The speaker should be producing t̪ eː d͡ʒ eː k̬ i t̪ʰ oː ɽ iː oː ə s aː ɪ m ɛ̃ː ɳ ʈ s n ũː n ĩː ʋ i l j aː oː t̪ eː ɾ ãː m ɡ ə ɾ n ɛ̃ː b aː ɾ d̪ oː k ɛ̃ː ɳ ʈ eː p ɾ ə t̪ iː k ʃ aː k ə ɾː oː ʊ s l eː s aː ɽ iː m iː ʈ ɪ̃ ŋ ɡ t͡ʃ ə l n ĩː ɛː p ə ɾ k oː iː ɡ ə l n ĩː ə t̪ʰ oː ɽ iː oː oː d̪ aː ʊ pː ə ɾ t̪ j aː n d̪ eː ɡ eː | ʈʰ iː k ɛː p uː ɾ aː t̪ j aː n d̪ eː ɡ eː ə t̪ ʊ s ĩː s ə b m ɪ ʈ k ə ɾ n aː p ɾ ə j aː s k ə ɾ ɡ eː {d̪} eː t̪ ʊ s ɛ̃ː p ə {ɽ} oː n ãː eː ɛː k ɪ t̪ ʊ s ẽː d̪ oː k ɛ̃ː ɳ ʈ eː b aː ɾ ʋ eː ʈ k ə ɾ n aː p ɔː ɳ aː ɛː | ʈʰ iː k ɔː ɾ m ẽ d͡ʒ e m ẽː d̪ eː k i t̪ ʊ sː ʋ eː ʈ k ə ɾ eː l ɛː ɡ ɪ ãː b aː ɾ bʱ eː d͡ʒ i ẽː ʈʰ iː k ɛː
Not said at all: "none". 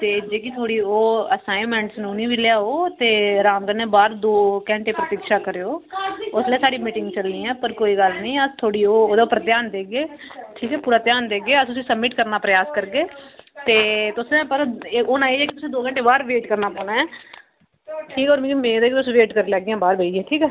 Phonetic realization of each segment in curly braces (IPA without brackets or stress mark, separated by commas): t̪, ɾ